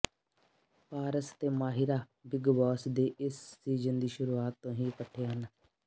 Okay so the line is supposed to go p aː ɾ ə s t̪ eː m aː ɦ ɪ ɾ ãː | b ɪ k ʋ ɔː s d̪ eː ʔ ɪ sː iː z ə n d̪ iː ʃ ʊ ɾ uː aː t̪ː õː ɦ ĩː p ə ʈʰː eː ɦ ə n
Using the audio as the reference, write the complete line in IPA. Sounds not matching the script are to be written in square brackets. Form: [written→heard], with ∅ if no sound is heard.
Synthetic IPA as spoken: p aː ɾ ə s t̪ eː m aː ɦ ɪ ɾ [ãː→aː] | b ɪ [k→ɡ] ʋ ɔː s d̪ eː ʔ ɪ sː iː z ə n d̪ iː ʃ ʊ ɾ uː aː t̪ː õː ɦ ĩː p ə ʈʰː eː ɦ ə n